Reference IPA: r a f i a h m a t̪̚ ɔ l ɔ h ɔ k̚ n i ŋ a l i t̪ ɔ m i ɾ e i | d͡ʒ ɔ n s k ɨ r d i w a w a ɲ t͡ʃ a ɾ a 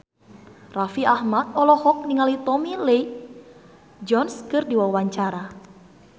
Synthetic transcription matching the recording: r a f i a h m a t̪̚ ɔ l ɔ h ɔ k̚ n i ŋ a l i t̪ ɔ m i l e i | d͡ʒ ɔ n s k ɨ r d i w a w a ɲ t͡ʃ a ɾ a